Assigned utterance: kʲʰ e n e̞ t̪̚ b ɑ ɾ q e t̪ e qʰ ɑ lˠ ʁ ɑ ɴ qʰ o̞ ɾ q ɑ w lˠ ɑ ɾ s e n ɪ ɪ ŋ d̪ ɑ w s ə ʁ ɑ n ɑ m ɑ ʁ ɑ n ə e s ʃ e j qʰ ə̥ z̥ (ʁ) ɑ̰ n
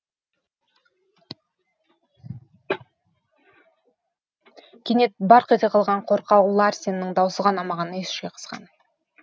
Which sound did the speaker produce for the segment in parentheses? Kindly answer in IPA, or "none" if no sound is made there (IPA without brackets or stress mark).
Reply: ʁ